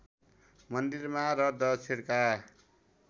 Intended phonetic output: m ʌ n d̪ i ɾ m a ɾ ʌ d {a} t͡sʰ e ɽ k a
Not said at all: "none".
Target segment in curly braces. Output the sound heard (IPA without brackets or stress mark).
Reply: ʌ